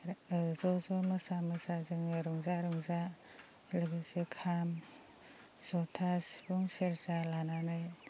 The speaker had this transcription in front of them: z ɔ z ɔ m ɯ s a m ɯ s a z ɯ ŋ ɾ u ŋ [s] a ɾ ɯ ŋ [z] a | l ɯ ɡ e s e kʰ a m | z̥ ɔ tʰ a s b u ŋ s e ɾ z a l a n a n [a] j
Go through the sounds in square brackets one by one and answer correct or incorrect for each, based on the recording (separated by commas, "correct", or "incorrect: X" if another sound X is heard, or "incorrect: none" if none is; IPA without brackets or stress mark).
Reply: incorrect: z, correct, correct